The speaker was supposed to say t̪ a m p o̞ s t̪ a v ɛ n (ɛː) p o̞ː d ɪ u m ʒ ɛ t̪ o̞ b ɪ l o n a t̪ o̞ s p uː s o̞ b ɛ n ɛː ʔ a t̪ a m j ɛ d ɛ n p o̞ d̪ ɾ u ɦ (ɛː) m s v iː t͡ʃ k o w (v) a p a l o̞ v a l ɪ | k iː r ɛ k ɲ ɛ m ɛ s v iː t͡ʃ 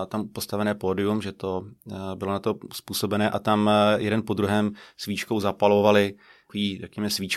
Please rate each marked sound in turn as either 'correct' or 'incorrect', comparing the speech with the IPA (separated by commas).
correct, correct, incorrect